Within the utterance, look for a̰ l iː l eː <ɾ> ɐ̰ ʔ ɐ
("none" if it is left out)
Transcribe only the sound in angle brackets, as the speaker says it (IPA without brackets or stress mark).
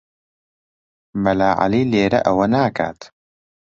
ɾ